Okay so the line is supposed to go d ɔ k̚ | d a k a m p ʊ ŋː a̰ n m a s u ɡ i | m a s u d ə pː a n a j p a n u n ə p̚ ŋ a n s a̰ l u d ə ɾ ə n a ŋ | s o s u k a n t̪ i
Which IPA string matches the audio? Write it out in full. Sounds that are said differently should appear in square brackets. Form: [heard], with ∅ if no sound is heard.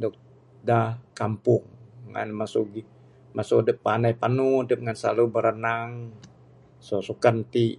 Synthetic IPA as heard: d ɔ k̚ | d a k a m p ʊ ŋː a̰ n m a s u ɡ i | m a s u d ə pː a n a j p a n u [d] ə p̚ ŋ a n s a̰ l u [b] ə ɾ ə n a ŋ | s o s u k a n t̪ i